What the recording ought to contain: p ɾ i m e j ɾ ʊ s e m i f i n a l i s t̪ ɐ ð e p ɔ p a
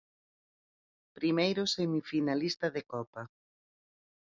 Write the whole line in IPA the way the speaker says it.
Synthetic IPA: p ɾ i m e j ɾ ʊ s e m i f i n a l i s t̪ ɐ ð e k ɔ p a

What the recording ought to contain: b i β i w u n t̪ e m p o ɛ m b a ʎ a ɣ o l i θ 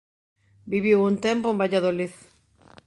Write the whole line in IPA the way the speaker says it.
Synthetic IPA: b i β i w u n t̪ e m p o e m b a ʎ a ð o l i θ

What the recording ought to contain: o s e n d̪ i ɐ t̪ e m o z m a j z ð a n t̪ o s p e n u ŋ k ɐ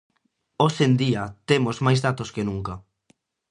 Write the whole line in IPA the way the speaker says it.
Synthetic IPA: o s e n d̪ i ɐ t̪ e m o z m a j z ð a t̪ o s k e n u ŋ k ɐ

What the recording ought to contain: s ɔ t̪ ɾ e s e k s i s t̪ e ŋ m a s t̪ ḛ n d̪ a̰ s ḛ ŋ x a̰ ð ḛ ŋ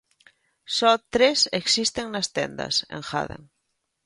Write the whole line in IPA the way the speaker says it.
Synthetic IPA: s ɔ t̪ ɾ e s e k s i s t̪ e ŋ n a s t̪ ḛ n d̪ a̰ s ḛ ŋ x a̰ ð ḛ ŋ

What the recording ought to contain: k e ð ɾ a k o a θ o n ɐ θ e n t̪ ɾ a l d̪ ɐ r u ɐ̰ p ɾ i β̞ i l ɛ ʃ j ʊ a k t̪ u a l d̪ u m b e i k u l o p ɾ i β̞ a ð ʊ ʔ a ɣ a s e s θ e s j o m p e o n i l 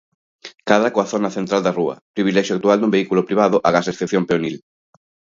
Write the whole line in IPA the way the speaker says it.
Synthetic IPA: k a ð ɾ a k o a θ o n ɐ θ e n t̪ ɾ a l d̪ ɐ r u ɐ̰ p ɾ i β̞ i l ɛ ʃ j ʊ a k t̪ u a l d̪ u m b e i k u l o p ɾ i β̞ a ð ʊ ʔ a ɣ a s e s θ e θ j o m p e o n i l

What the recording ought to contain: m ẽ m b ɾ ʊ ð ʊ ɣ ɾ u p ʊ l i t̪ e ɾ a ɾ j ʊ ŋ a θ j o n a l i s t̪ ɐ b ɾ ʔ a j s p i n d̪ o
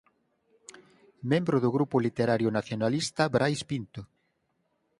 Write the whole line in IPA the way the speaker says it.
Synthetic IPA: m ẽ m b ɾ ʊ ð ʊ ɣ ɾ u p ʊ l i t̪ e ɾ a ɾ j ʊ n a θ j o n a l i s t̪ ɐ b ɾ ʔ a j s p i n t̪ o

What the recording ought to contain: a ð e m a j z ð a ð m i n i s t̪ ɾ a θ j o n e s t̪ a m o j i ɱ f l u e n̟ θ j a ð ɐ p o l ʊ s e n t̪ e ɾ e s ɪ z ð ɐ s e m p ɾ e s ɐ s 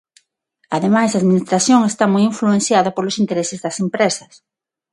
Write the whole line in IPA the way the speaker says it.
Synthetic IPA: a ð e m a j z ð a ð m i n i s t̪ ɾ a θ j o ŋ e s t̪ a m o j i ɱ f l u e n̟ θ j a ð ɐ p o l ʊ s i n t̪ e ɾ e s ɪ z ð ɐ s e m p ɾ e s ɐ s

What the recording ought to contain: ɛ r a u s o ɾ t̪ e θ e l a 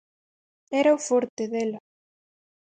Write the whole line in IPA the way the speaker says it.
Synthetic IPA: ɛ ɾ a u f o ɾ t̪ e ð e l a

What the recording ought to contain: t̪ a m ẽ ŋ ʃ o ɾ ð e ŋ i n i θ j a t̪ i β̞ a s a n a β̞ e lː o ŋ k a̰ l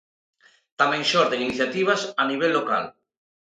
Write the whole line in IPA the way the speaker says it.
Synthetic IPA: t̪ a m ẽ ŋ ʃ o ɾ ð e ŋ i n i θ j a t̪ i β̞ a s a n i β̞ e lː o k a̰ l

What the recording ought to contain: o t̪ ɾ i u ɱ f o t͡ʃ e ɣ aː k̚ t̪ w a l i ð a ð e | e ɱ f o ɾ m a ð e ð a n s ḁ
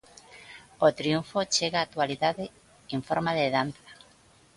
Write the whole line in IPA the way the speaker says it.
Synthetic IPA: o t̪ ɾ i u ɱ f o t͡ʃ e ɣ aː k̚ t̪ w a l i ð a ð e | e ɱ f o ɾ m a ð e ð a n θ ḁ

